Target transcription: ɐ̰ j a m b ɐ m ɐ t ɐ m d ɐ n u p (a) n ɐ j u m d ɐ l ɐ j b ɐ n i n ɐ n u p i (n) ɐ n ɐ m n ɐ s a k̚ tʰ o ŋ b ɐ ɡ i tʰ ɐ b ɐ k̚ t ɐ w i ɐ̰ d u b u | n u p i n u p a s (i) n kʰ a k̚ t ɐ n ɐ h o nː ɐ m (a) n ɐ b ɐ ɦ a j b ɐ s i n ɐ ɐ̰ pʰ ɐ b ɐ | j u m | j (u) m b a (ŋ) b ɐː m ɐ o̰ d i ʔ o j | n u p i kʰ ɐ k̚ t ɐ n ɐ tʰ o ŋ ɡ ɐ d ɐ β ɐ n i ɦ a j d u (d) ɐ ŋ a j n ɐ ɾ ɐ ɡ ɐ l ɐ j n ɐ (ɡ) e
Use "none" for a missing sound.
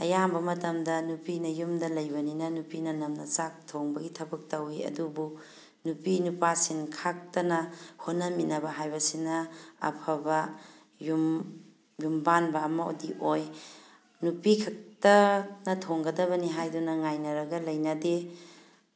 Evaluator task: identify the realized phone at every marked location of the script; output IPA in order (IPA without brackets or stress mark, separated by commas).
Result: i, n, i, i, u, n, n, d